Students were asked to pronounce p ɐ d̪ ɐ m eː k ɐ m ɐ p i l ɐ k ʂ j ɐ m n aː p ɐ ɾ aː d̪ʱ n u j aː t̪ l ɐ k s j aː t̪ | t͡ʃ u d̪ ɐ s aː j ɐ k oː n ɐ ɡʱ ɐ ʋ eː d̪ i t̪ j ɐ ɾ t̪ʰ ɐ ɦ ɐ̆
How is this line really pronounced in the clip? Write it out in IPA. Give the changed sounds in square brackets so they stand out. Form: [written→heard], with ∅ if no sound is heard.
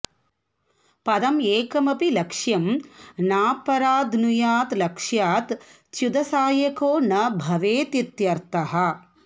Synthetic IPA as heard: p ɐ d̪ ɐ m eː k ɐ m ɐ p i l ɐ k ʂ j ɐ m n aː p ɐ ɾ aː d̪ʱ n u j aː t̪ l ɐ k [s→ʂ] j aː t̪ | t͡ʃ u d̪ ɐ s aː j ɐ k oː n ɐ [ɡʱ→bʱ] ɐ ʋ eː [d̪→t̪] i t̪ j ɐ ɾ [t̪ʰ→t̪] ɐ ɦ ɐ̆